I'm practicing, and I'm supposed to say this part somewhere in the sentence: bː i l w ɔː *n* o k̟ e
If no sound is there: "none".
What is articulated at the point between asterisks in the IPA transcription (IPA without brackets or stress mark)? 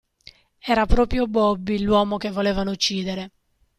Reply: m